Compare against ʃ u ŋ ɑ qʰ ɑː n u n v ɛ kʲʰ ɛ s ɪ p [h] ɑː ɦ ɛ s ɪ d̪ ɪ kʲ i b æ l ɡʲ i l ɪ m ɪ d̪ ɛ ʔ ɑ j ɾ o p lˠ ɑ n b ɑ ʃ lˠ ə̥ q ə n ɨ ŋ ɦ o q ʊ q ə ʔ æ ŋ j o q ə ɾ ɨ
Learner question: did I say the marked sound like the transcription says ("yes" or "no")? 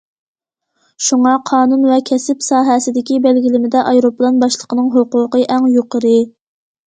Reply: no